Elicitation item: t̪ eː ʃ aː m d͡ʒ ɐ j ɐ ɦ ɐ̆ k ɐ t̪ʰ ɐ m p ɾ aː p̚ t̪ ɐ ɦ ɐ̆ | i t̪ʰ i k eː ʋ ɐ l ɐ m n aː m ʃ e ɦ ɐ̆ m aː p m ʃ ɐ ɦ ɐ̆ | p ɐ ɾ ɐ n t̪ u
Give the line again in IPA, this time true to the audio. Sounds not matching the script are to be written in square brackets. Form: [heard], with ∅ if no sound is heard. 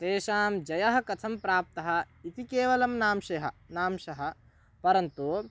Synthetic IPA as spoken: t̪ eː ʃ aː m d͡ʒ ɐ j ɐ ɦ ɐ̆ k ɐ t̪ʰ ɐ m p ɾ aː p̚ t̪ ɐ ɦ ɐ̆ | i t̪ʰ i k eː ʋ ɐ l ɐ m n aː m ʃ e ɦ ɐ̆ [n] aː [∅] m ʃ ɐ ɦ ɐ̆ | p ɐ ɾ ɐ n t̪ u